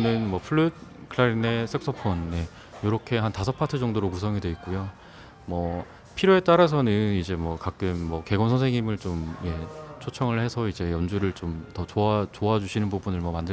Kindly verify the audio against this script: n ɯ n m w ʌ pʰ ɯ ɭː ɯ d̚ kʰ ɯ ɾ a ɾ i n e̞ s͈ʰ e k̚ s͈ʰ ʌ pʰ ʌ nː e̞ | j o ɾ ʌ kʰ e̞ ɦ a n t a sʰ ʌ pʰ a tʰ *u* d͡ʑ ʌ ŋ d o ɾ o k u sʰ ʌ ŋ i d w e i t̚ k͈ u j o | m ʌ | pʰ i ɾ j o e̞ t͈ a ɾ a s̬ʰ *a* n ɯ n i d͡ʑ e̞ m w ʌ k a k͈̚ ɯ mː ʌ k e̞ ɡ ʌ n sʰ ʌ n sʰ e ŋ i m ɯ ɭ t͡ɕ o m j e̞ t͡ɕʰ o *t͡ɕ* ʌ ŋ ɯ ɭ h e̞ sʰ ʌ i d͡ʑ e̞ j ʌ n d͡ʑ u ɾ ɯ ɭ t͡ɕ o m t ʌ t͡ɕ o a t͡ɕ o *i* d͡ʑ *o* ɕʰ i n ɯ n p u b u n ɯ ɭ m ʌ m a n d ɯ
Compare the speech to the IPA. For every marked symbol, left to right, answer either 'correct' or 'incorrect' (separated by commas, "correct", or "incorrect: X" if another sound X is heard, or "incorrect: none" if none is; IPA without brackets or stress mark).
incorrect: ɯ, incorrect: ʌ, incorrect: t͡ɕʰ, incorrect: a, incorrect: u